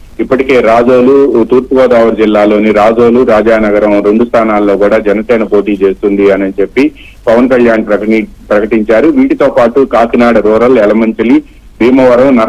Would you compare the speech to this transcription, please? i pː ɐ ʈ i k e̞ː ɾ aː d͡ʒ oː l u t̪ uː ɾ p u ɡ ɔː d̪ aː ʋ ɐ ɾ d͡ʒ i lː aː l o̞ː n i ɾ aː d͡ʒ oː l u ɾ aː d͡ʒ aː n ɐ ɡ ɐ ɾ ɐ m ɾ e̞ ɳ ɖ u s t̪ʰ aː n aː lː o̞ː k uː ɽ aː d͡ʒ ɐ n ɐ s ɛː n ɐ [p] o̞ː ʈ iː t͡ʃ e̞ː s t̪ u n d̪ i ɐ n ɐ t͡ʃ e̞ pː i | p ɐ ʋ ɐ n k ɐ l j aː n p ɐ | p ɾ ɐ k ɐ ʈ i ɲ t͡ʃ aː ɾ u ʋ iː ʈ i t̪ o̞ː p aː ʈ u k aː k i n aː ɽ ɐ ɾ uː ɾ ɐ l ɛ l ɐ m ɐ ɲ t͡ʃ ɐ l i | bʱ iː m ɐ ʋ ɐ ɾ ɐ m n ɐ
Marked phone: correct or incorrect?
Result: correct